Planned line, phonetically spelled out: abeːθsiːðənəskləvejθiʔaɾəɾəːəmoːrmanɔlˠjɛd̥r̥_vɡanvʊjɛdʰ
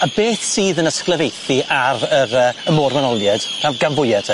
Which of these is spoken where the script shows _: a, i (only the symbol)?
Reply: a